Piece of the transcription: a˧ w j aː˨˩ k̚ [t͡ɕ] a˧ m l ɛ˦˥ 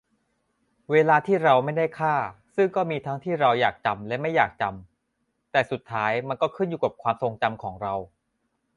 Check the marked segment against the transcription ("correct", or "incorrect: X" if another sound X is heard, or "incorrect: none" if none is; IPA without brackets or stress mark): correct